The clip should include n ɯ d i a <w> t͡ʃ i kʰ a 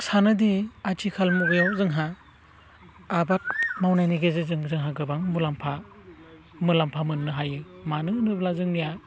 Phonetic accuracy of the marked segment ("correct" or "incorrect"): incorrect